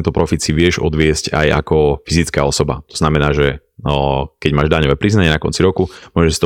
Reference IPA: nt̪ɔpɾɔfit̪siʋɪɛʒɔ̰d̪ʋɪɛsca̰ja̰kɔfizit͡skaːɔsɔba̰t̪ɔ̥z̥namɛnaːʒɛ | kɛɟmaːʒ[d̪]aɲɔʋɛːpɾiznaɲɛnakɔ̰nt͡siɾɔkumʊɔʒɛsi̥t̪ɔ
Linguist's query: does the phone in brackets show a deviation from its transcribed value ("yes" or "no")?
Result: no